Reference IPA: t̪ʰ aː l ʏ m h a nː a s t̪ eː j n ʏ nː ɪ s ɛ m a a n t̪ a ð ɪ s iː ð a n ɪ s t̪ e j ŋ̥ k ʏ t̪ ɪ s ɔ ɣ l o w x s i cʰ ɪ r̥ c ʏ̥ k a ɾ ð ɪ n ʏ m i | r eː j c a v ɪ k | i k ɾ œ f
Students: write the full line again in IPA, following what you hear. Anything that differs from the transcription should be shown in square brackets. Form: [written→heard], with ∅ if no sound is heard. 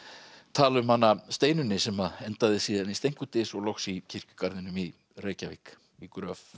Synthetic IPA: t̪ʰ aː l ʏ m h a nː a s t̪ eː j n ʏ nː ɪ s ɛ m a [a→ɛ] n t̪ a ð ɪ s iː ð a n [ɪ→i] s t̪ e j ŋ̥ k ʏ t̪ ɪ s ɔ ɣ l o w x s i cʰ ɪ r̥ c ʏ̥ k a ɾ ð ɪ n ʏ m i | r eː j c a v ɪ k | i k ɾ œ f